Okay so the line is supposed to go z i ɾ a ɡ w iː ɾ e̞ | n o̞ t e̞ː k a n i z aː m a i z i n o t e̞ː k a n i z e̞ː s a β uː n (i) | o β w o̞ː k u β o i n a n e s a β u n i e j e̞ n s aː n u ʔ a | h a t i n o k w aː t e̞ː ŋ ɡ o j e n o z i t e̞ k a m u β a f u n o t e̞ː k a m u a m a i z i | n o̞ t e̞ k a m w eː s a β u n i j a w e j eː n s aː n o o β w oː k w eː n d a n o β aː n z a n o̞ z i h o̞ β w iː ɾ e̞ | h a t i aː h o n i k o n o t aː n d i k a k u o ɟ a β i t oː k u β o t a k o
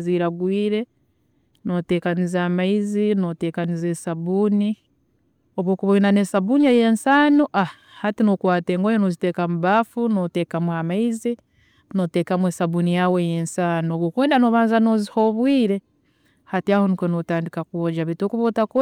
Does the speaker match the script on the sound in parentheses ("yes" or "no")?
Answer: yes